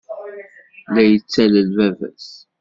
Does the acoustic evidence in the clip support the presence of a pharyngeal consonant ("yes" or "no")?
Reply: no